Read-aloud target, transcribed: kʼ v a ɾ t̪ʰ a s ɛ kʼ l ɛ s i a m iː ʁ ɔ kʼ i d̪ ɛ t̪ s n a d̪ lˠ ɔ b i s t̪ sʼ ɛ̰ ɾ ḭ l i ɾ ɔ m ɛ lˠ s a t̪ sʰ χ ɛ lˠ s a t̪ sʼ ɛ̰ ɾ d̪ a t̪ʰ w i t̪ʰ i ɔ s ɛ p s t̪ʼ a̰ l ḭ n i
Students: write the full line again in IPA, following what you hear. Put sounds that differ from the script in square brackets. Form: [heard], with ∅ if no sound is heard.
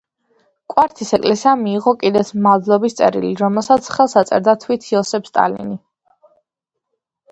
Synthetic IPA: kʼ [w] a ɾ t̪ʰ [i] s ɛ kʼ l ɛ s i a m iː ʁ ɔ kʼ i d̪ ɛ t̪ s [m] a d̪ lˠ ɔ b i s t̪ sʼ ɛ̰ ɾ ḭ l i ɾ ɔ m ɛ lˠ s a t̪ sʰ χ ɛ lˠ s a t̪ sʼ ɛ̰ ɾ d̪ a t̪ʰ w i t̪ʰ i ɔ s ɛ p s t̪ʼ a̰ l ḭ n i